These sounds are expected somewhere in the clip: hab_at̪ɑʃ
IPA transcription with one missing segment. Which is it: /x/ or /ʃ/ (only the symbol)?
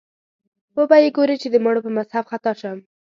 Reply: x